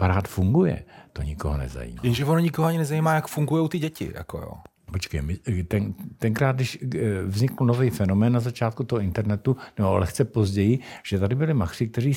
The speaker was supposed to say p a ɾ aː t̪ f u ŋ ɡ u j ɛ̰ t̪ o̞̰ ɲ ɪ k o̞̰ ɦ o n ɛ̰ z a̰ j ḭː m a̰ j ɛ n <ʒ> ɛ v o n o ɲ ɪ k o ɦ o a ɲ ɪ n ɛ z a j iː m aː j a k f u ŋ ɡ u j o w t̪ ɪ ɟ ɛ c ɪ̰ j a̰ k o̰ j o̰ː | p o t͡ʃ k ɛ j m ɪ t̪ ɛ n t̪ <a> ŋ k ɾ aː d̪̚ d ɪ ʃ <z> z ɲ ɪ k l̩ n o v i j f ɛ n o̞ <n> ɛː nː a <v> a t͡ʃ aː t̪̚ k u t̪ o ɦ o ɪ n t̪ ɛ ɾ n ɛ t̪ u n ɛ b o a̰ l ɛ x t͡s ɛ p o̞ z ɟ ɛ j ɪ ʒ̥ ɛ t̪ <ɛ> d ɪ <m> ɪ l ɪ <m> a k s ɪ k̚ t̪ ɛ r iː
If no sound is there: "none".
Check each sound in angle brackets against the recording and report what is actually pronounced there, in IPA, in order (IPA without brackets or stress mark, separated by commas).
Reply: ʒ, ɛ, v, m, z, a, b, m